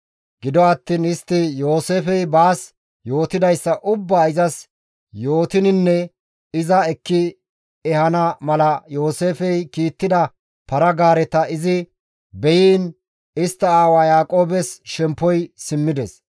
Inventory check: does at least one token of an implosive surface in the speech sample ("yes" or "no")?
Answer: no